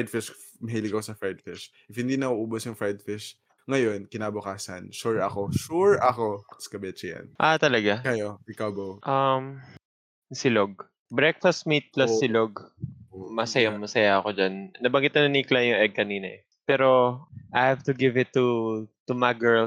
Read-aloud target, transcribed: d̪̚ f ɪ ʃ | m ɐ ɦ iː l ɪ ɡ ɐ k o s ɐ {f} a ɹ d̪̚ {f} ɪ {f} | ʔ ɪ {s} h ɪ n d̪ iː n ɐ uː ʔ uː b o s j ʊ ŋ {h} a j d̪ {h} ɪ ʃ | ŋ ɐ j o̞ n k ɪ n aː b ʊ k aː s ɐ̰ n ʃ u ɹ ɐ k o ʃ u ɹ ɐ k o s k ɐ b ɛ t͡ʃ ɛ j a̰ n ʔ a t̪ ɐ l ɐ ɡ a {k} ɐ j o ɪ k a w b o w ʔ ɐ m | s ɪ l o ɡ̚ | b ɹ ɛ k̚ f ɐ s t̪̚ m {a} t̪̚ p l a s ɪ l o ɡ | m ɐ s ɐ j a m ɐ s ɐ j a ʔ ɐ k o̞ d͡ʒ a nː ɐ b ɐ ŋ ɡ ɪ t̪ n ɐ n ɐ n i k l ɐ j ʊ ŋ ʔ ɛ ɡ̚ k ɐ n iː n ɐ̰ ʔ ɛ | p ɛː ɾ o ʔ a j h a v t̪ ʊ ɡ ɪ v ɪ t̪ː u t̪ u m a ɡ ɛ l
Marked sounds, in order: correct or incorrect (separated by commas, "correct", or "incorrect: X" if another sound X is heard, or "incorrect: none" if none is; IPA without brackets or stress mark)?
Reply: correct, correct, incorrect: ʃ, incorrect: f, incorrect: f, incorrect: f, correct, incorrect: i